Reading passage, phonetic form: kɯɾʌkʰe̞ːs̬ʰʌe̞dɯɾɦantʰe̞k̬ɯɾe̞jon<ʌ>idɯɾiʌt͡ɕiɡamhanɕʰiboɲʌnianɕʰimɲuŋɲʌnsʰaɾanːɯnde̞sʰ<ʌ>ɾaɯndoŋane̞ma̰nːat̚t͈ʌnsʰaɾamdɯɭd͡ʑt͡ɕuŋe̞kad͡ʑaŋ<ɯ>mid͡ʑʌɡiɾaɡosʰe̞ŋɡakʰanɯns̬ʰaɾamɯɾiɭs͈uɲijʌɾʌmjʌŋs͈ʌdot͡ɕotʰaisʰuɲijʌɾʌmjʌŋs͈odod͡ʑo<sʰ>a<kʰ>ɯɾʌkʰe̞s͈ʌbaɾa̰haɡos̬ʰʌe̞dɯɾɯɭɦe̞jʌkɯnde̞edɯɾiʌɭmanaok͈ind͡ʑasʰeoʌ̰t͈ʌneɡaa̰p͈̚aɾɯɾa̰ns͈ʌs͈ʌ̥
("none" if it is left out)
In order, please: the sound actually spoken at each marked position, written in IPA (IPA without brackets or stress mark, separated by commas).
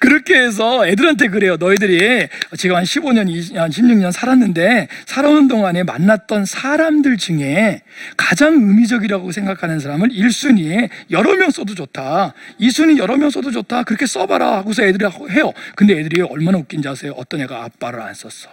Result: ʌ, a, ɯ, tʰ, k